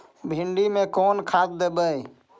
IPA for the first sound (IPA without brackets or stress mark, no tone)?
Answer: bʱ